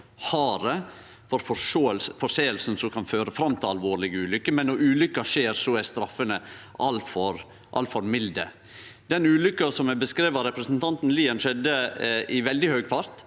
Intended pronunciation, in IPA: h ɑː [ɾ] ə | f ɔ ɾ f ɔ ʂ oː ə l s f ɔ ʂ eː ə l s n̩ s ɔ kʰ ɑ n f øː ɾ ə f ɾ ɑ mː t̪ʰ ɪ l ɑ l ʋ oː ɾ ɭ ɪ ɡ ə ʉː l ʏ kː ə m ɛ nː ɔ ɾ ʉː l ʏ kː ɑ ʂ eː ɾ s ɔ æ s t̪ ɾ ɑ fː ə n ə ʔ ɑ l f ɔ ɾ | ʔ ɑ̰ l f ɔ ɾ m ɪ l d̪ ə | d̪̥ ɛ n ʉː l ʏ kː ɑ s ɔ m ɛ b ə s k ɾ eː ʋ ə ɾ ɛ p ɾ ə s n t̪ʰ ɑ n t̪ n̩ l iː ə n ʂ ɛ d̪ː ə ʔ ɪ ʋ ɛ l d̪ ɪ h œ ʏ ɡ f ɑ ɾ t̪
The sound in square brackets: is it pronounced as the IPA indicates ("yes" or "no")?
yes